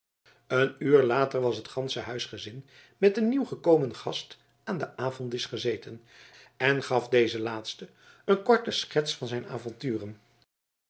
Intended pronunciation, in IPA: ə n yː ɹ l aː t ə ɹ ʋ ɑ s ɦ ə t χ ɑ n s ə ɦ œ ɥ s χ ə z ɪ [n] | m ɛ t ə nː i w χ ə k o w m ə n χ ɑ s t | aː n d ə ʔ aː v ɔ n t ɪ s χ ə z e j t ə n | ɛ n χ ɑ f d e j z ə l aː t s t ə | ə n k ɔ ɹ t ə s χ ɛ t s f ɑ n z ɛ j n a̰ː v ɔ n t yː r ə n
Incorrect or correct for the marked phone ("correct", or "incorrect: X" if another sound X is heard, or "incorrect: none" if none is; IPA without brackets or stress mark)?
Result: correct